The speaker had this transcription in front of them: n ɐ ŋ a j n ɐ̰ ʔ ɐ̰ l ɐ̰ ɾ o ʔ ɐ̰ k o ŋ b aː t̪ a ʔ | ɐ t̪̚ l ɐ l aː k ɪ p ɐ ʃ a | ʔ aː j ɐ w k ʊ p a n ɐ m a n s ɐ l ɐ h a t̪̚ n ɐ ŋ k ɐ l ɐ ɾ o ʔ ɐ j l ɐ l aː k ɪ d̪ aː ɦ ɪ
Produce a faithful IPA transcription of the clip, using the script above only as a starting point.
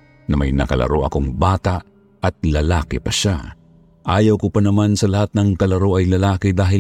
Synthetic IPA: n ɐ m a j n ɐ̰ k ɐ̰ l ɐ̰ ɾ o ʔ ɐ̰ k o ŋ b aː t̪ a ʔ | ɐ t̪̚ l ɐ l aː k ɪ p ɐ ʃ a | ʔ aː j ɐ w k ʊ p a n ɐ m a n s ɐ l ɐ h a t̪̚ n ɐ ŋ k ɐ l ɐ ɾ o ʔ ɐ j l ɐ l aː k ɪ d̪ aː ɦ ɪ